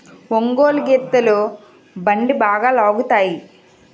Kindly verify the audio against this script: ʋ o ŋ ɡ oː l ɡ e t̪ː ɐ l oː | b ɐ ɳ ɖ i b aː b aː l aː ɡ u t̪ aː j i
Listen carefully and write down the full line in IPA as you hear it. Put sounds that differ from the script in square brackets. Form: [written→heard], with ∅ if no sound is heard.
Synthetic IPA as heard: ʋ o ŋ ɡ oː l ɡ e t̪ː ɐ l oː | b ɐ ɳ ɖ i b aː [b→ɡ] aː l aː ɡ u t̪ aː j i